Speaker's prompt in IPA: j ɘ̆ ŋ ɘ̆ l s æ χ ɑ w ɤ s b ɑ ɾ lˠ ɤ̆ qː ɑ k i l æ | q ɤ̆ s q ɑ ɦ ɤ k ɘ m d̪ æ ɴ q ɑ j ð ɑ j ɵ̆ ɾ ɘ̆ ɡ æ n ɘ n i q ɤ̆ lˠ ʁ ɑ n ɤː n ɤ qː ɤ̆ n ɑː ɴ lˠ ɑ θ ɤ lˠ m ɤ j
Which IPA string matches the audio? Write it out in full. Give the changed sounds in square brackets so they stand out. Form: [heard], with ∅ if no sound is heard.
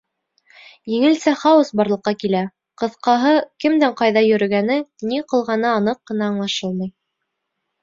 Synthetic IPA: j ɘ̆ ŋ ɘ̆ l s æ χ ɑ w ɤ s b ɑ ɾ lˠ ɤ̆ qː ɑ k i l æ | q ɤ̆ [θ] q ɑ ɦ ɤ k ɘ m d̪ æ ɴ q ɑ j ð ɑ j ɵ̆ ɾ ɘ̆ ɡ æ n ɘ n i q ɤ̆ lˠ ʁ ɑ n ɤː n ɤ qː ɤ̆ n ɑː ɴ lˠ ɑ [ʃ] ɤ lˠ m ɤ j